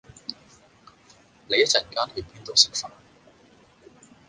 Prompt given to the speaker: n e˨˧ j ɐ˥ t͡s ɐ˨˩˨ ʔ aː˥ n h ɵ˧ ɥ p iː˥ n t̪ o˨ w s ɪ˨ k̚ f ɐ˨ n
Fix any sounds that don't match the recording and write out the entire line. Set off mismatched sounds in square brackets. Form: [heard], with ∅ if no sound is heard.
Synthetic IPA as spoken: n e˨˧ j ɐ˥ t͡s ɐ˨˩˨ [k] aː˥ n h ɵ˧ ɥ p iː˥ n t̪ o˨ w s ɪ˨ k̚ f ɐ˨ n